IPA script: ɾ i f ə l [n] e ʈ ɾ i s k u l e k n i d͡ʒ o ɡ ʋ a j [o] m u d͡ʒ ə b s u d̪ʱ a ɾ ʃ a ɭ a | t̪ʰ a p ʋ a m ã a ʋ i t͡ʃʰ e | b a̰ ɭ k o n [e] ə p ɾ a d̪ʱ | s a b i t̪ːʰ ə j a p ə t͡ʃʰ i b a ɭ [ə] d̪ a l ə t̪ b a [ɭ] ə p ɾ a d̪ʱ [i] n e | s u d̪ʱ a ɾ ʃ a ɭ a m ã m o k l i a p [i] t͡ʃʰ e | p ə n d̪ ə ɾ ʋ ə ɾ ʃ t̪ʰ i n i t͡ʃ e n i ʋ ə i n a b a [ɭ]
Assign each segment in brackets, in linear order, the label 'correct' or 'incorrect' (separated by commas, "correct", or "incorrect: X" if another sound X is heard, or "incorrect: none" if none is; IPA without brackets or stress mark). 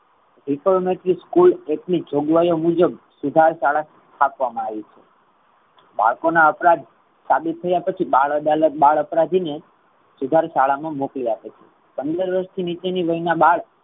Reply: incorrect: m, correct, incorrect: a, correct, correct, correct, incorrect: e, correct